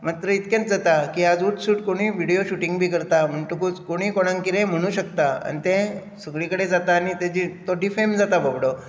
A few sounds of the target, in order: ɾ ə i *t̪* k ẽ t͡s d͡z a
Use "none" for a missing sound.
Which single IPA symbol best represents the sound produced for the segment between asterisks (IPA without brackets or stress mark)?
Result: t̪